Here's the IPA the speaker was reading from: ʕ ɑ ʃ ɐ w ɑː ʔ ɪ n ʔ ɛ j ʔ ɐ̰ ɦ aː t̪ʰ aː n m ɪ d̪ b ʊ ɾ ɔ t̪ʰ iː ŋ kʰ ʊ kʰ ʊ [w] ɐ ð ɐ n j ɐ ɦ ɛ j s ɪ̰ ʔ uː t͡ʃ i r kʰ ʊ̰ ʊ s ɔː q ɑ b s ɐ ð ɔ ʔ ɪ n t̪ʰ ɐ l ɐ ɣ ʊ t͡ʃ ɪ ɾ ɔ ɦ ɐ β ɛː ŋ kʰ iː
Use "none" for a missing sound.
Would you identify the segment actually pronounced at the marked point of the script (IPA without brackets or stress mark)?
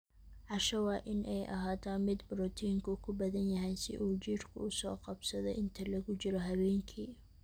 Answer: b